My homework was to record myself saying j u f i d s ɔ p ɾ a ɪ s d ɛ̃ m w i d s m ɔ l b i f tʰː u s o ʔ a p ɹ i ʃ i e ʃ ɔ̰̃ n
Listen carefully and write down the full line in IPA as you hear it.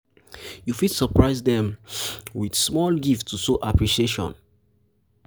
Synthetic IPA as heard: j u f i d s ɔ p ɹ a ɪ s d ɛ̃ m w i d s m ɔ l ɡ i f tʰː u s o ʔ a p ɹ i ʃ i e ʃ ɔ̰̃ n

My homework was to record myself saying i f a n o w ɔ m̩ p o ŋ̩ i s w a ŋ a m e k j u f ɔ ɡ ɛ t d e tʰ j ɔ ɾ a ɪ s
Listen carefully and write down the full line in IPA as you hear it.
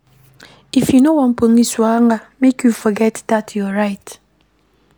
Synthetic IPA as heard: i f i n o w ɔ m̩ p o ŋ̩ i s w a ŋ a m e k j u f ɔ ɡ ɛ t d a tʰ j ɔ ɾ a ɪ t

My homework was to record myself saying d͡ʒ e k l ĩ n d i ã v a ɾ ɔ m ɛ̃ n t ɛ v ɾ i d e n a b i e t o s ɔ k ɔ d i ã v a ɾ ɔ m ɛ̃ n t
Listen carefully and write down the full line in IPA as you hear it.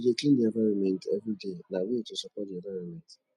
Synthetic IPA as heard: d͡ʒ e k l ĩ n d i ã v a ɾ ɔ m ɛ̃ n t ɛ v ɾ i d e n a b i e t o s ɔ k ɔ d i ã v a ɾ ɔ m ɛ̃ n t

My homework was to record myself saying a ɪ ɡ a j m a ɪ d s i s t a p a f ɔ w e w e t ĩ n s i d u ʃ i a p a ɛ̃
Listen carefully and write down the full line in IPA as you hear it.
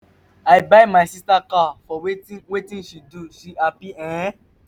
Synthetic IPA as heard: a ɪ b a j m a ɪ s i s t a k a f ɔ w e w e t ĩ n ʃ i d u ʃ i a p i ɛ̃

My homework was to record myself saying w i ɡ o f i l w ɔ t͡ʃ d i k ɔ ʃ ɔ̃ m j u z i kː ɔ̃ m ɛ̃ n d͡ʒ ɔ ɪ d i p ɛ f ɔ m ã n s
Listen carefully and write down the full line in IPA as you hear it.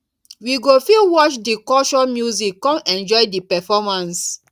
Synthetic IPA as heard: w i ɡ o f i l w ɔ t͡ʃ d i k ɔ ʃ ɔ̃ m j u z i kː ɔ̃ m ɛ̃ n d͡ʒ ɔ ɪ d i p ɛ f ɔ m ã n s

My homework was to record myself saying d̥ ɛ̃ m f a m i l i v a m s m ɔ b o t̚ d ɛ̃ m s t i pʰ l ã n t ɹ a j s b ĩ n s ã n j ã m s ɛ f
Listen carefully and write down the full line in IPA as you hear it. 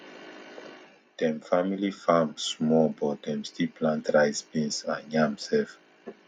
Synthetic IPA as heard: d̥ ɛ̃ m f a m i l i f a m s m ɔ b ɔ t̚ d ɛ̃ m s t i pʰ l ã n t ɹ a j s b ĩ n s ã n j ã m s ɛ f

